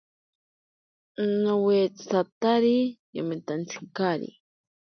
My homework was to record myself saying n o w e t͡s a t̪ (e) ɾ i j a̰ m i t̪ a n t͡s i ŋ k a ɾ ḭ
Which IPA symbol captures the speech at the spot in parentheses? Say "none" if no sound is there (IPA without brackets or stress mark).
a